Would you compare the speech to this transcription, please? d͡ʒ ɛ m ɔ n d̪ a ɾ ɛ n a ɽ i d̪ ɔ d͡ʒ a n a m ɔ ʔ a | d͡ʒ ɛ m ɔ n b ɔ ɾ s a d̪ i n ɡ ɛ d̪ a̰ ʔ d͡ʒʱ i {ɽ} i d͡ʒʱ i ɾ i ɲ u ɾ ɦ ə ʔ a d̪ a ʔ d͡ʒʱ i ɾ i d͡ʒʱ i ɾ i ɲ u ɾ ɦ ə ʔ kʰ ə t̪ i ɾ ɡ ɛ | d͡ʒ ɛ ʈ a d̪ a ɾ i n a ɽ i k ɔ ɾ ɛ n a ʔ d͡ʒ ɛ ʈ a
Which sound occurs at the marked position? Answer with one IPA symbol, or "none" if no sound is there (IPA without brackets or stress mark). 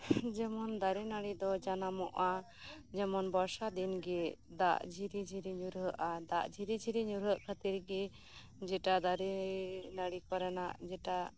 ɾ